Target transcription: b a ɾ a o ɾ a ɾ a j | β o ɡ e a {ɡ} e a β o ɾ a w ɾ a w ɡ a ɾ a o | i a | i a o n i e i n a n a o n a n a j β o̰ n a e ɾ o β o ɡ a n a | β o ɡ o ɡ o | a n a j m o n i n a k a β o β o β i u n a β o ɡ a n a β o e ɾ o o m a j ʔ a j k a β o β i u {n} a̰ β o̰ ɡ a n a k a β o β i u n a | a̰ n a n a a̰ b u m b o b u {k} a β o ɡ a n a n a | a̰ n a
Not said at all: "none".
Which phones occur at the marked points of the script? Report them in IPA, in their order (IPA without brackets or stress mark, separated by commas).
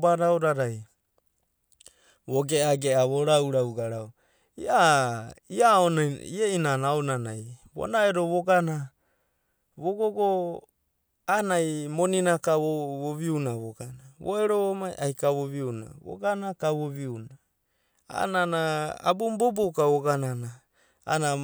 ɡ, n, k